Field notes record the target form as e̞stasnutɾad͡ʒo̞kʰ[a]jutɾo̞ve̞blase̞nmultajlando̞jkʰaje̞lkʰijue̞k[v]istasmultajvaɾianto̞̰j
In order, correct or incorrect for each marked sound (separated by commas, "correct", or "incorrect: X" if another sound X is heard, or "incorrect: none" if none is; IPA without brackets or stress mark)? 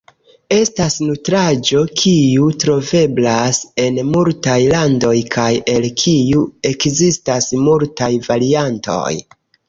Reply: incorrect: i, incorrect: z